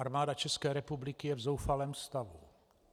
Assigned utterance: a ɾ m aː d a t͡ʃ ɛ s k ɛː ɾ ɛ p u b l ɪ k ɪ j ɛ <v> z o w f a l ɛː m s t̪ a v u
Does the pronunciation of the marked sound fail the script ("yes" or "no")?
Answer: no